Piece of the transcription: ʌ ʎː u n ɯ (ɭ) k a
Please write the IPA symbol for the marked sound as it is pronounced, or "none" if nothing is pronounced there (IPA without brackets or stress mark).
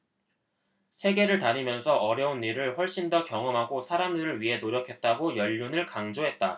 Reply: ɭ